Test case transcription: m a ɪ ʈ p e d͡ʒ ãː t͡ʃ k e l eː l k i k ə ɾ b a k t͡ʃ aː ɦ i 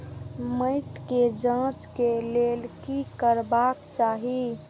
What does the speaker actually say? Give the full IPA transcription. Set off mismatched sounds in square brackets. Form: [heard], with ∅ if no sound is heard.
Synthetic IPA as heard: m [ə] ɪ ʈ [k] e d͡ʒ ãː t͡ʃ k e l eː l k i k ə ɾ b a k t͡ʃ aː ɦ i